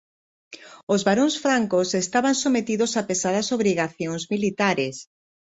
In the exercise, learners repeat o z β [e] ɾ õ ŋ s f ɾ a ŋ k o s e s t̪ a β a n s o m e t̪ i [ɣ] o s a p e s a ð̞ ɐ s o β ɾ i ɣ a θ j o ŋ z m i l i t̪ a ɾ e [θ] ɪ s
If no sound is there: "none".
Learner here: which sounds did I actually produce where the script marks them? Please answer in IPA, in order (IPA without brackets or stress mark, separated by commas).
a, ð, none